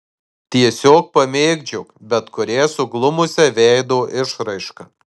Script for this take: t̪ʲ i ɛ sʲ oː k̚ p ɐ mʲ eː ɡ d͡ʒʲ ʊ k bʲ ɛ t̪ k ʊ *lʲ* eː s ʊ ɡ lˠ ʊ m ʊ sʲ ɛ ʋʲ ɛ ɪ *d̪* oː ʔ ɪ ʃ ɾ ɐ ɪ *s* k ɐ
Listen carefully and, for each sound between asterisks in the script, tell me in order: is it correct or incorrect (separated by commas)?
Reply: incorrect, correct, incorrect